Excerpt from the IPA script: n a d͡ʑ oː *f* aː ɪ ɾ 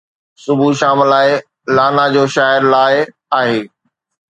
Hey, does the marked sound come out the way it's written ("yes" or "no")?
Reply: no